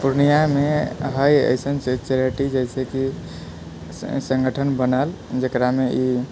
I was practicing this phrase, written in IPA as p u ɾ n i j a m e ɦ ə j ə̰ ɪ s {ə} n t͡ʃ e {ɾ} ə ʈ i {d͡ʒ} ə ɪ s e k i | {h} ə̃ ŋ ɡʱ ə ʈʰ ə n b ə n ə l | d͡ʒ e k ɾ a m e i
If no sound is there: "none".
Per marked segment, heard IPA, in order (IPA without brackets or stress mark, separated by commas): ə, ɾ, d͡ʒ, s